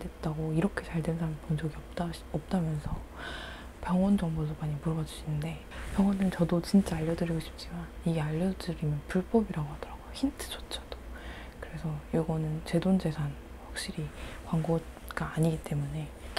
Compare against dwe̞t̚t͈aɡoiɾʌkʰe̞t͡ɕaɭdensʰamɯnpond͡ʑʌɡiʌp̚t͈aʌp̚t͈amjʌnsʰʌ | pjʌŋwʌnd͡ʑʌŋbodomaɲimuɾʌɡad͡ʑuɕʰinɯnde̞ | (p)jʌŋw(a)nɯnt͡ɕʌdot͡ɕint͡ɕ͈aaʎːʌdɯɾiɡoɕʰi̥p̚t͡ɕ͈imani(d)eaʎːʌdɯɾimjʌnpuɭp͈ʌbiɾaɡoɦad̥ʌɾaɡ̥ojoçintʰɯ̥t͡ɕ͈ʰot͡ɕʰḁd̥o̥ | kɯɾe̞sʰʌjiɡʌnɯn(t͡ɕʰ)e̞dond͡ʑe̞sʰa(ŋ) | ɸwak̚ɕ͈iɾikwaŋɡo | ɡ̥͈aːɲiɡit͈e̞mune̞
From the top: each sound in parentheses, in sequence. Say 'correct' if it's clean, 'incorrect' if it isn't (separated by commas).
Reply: correct, incorrect, incorrect, incorrect, incorrect